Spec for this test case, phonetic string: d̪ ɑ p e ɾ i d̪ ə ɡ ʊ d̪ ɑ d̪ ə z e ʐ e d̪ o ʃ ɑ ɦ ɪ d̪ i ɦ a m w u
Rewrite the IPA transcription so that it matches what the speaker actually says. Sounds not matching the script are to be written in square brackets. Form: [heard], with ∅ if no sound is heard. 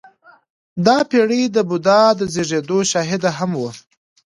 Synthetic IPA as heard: d̪ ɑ p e [ɽ] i d̪ ə [b] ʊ d̪ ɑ d̪ ə z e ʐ e d̪ o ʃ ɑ ɦ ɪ d̪ [a] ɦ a m w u